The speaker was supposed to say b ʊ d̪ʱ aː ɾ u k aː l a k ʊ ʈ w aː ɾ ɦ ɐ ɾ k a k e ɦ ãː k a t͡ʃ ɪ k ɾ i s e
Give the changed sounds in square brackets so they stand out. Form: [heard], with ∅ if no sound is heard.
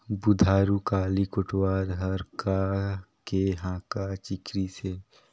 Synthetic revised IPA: b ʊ d̪ʱ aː ɾ u k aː l [i] k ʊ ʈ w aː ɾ ɦ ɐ ɾ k a k e ɦ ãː k a t͡ʃ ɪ k ɾ i s e